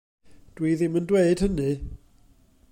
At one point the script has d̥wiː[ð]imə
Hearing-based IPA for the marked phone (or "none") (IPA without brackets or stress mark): ð